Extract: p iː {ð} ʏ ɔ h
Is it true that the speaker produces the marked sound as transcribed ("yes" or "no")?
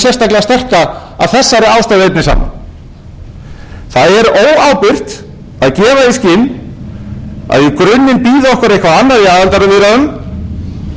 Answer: yes